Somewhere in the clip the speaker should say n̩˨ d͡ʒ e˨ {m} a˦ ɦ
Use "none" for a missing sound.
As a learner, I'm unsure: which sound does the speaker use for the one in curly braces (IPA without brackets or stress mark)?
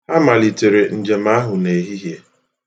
m